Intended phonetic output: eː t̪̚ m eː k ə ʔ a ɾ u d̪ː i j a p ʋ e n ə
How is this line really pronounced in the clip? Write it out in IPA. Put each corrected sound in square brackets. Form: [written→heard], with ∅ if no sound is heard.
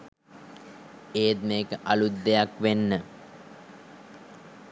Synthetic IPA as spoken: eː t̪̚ m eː k ə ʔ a [ɾ→l] u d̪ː [i→e] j a [p→k] ʋ e [n→nː] ə